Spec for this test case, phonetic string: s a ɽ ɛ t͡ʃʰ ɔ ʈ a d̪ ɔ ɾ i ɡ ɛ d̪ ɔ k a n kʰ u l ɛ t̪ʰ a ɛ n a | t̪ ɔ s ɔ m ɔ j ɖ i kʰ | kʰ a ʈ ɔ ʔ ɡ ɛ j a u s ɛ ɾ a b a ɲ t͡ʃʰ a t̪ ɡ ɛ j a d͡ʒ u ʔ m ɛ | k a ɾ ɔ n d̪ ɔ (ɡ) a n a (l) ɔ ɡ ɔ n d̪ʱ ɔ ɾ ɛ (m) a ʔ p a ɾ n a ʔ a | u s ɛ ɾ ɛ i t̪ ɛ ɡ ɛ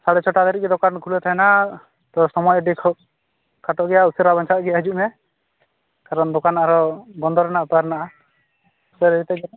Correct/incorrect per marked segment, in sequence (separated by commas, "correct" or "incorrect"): incorrect, incorrect, incorrect